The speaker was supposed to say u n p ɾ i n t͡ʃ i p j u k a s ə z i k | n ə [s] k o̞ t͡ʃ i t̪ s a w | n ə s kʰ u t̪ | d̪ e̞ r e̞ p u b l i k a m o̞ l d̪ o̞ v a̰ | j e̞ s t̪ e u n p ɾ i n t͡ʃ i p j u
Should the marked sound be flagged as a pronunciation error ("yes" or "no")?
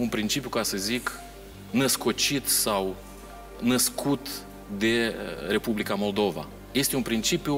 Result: no